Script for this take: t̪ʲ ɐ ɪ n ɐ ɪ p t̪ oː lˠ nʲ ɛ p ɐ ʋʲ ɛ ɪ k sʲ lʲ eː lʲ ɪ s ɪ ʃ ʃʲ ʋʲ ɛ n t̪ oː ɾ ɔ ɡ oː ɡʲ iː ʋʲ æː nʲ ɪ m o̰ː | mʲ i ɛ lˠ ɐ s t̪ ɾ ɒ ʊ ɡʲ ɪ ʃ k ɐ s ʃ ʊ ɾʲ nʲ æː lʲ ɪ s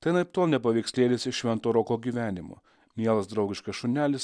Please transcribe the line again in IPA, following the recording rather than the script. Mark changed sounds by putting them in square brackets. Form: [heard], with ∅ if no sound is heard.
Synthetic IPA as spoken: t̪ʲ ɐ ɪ n ɐ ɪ p t̪ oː lˠ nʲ ɛ p ɐ ʋʲ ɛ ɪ k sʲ lʲ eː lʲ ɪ s ɪ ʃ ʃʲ ʋʲ ɛ n t̪ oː ɾ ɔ [k] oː ɡʲ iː ʋʲ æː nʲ ɪ m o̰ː | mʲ i ɛ lˠ ɐ s [d̪] ɾ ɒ ʊ ɡʲ ɪ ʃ k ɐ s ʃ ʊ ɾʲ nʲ æː lʲ ɪ s

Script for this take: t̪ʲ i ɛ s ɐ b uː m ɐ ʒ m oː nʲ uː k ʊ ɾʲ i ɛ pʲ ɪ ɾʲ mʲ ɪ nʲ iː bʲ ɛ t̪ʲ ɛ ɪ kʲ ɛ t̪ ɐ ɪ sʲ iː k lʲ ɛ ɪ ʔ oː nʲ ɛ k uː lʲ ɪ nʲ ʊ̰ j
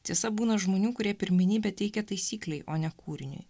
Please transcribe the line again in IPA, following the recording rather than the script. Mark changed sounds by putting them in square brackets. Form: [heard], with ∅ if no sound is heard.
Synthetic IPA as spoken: t̪ʲ i ɛ s ɐ b uː [n] ɐ ʒ m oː nʲ uː k ʊ ɾʲ i ɛ pʲ ɪ ɾʲ mʲ ɪ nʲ iː bʲ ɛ t̪ʲ ɛ ɪ kʲ ɛ t̪ ɐ ɪ sʲ iː k lʲ ɛ ɪ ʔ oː nʲ ɛ k uː [ɾʲ] ɪ nʲ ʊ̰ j

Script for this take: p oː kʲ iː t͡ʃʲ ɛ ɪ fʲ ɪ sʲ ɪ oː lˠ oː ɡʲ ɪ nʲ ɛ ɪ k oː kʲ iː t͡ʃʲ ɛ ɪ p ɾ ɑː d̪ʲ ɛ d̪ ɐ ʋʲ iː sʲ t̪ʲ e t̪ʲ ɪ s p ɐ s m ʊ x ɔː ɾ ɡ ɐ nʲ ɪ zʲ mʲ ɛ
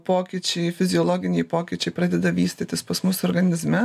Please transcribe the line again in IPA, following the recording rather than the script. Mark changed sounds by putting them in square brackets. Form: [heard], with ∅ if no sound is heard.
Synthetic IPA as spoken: p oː kʲ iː t͡ʃʲ ɛ ɪ fʲ ɪ [zʲ] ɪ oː lˠ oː ɡʲ ɪ nʲ ɛ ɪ [p] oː kʲ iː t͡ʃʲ ɛ ɪ p ɾ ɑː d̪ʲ ɛ d̪ ɐ ʋʲ iː sʲ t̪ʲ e t̪ʲ ɪ s p ɐ s m ʊ [s] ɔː ɾ ɡ ɐ nʲ ɪ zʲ mʲ ɛ

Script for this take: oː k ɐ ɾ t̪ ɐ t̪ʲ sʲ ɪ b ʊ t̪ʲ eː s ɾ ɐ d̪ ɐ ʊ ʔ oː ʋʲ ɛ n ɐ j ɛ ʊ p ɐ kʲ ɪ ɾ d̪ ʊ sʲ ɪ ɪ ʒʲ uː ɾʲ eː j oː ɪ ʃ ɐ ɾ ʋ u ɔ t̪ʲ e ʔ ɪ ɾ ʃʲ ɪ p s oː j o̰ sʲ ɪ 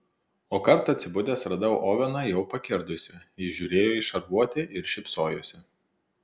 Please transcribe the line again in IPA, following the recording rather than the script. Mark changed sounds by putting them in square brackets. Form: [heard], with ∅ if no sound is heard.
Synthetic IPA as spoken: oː k ɐ ɾ t̪ ɐ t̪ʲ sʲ ɪ b ʊ [d̪ʲ] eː s ɾ ɐ d̪ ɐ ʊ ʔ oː ʋʲ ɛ n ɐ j ɛ ʊ p ɐ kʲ ɪ ɾ d̪ ʊ sʲ ɪ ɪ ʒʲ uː ɾʲ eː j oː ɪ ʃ ɐ ɾ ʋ u ɔ t̪ʲ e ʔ ɪ ɾ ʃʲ ɪ p s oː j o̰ sʲ ɪ

